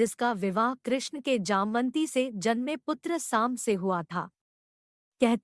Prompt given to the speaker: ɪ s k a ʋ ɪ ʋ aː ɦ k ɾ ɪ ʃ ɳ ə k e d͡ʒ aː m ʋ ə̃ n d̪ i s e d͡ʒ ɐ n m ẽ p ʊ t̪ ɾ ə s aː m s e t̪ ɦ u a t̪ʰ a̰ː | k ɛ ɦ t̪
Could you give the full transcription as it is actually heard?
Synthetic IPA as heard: ɪ s k a ʋ ɪ ʋ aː ɦ k ɾ ɪ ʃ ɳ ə k e d͡ʒ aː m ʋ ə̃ n t̪ i s e d͡ʒ ɐ n m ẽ p ʊ t̪ ɾ ə s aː m s e ɦ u a t̪ʰ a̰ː | k ɛ ɦ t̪